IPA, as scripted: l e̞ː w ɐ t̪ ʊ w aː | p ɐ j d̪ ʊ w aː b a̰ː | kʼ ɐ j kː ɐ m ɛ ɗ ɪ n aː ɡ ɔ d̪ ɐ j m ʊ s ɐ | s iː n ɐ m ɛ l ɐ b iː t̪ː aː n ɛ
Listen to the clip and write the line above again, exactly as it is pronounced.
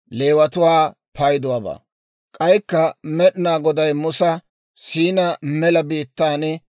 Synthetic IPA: l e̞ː w ɐ t̪ ʊ w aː | p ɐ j d̪ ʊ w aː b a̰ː | kʼ ɐ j kː ɐ m ɛ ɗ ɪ n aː ɡ ɔ d̪ ɐ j m ʊ s ɐ | s iː n ɐ m ɛ l ɐ b iː t̪ː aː n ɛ